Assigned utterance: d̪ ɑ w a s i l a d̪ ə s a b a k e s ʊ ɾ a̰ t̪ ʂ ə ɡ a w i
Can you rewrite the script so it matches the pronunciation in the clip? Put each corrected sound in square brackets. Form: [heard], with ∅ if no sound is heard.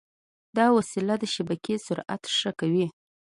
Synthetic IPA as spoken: d̪ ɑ w a s i l a d̪ ə [ʃ] a b a k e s ʊ ɾ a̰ t̪ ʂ ə [k] a w i